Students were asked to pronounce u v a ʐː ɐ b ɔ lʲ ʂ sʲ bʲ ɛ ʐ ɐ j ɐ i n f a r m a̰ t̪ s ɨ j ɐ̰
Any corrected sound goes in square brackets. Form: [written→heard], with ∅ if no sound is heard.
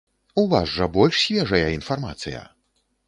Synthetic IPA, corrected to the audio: u v a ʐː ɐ b ɔ lʲ ʂ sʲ [bʲ→vʲ] ɛ ʐ ɐ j ɐ i n f a r m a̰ t̪ s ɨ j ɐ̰